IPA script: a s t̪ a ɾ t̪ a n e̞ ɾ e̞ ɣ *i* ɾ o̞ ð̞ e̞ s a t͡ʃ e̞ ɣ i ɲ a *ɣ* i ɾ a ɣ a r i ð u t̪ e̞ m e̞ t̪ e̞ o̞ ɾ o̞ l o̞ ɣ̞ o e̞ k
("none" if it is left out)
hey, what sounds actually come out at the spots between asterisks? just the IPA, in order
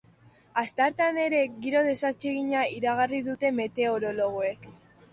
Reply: i, none

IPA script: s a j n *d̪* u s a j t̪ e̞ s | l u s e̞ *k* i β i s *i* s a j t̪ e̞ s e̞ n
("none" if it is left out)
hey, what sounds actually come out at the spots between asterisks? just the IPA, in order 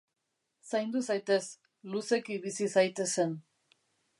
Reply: d̪, k, i

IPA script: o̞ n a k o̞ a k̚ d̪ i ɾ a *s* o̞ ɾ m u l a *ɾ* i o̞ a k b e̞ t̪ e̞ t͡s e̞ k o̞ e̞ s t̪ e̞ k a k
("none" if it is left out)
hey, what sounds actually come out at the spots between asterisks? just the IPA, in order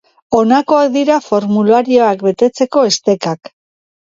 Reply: f, ɾ

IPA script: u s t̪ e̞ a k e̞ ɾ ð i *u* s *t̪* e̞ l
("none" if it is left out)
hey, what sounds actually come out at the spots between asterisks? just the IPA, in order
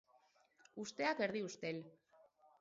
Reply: u, t̪

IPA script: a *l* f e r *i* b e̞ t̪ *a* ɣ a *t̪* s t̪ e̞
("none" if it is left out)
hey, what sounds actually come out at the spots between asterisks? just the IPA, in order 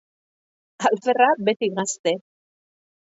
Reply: l, a, i, none

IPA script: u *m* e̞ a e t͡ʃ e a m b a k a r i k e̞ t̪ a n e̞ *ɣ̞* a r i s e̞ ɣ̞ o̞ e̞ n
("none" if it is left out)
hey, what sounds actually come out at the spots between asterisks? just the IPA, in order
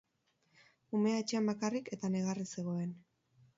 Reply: m, ɣ̞

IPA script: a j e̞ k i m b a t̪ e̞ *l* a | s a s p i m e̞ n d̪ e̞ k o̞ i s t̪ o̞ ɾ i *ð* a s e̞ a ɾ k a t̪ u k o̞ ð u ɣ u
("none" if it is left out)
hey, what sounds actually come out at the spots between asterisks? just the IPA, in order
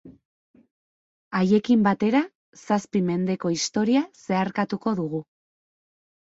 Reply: ɾ, none

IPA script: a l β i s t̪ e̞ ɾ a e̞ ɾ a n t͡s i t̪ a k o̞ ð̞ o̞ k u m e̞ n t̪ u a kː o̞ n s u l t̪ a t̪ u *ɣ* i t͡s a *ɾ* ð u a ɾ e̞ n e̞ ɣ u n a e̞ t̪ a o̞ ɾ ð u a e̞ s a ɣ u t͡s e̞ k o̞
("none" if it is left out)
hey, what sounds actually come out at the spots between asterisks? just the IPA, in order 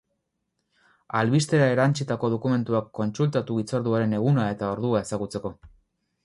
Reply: ɣ, ɾ

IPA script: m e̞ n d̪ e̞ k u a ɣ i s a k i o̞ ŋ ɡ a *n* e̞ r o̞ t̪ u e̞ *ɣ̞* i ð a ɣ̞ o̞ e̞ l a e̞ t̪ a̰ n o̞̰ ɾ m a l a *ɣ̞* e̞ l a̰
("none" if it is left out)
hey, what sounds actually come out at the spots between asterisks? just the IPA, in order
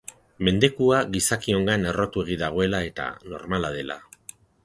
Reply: n, ɣ̞, ð̞

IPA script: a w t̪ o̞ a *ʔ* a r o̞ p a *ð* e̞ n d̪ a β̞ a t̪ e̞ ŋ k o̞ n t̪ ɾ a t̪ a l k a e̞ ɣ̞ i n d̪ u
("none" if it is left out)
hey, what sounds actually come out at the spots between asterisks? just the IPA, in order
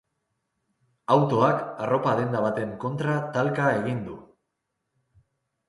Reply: k, ð

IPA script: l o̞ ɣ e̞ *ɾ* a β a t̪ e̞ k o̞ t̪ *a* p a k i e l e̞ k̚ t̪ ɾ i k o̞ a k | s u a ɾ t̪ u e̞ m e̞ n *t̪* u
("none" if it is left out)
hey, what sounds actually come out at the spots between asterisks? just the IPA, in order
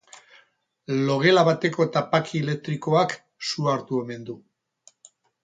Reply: l, a, d̪

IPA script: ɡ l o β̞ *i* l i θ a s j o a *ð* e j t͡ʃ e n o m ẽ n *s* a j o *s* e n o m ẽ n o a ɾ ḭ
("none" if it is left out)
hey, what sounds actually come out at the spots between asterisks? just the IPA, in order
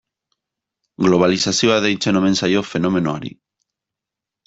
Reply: a, ð, s, f

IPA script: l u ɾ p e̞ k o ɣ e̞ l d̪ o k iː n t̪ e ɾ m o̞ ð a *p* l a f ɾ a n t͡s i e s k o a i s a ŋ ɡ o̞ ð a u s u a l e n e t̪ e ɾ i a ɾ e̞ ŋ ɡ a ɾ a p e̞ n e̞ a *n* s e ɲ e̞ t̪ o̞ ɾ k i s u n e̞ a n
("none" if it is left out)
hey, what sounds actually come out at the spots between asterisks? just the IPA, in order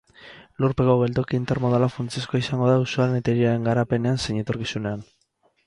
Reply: none, n

